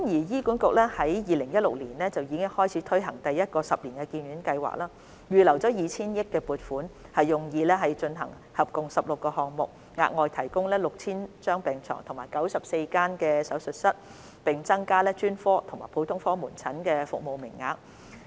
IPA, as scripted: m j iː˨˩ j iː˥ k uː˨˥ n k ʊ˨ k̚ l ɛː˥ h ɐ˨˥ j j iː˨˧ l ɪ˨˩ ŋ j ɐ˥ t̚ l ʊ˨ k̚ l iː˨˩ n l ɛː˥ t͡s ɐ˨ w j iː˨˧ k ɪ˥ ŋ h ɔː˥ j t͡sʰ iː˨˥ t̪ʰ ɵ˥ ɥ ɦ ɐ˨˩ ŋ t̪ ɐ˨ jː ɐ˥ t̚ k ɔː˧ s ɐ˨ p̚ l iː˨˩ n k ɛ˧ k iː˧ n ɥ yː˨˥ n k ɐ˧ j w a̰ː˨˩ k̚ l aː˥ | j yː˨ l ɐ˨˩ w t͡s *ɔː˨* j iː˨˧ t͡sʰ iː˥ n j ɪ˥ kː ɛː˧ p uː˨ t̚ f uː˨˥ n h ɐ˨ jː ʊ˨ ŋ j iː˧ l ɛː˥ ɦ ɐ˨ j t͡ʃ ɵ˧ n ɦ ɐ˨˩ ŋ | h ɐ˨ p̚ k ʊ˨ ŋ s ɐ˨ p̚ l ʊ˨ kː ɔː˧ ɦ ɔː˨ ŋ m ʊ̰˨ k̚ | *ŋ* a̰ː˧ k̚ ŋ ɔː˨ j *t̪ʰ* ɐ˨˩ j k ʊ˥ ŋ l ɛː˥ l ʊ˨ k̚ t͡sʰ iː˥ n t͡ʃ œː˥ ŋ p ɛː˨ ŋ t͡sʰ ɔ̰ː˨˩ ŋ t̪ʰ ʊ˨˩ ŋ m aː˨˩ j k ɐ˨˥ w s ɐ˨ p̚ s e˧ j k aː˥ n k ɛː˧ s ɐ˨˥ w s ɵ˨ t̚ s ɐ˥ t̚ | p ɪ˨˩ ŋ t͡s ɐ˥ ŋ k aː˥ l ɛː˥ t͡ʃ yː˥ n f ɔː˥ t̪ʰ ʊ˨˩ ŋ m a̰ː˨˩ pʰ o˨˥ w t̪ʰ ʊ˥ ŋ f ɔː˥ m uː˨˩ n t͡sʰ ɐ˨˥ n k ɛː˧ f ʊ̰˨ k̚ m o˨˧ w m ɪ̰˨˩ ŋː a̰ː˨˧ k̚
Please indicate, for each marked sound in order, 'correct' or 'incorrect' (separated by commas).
incorrect, correct, correct